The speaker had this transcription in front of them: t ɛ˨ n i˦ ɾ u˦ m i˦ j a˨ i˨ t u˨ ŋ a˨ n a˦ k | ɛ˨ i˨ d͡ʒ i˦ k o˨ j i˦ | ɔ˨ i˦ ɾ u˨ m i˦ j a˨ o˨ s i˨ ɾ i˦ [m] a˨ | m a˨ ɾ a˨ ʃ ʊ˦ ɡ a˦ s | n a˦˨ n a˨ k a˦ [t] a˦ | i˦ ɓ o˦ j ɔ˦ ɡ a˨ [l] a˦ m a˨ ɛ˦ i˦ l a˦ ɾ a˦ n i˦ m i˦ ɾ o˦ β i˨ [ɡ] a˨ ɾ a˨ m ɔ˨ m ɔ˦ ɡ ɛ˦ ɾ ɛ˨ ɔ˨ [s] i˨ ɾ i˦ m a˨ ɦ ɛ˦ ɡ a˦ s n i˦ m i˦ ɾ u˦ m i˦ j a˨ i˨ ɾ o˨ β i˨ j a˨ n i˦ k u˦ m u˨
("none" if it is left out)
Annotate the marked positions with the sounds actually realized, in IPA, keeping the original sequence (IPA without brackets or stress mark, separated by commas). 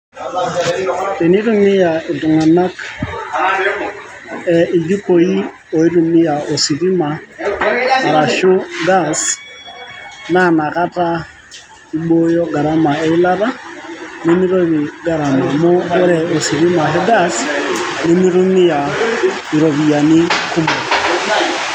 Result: m, t, ɾ, ɡ, s